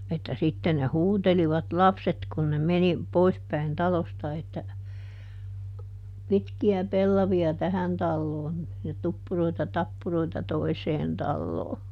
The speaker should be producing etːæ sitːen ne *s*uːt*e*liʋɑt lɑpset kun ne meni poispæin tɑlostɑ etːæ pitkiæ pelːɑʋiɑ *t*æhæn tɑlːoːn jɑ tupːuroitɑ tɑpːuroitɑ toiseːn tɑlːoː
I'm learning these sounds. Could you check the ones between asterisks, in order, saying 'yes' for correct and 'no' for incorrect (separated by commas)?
no, yes, yes